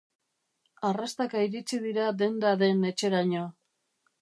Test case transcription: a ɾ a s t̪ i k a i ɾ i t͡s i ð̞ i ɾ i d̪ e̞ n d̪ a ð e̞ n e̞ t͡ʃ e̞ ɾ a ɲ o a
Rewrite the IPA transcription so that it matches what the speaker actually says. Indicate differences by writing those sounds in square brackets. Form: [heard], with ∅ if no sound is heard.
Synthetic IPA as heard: a [r] a s t̪ [a] k a i ɾ i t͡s i ð̞ i ɾ [a] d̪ e̞ n d̪ a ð e̞ n e̞ t͡ʃ e̞ ɾ a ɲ o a